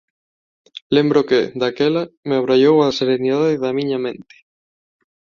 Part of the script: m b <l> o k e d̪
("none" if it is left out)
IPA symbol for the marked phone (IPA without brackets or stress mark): ɾ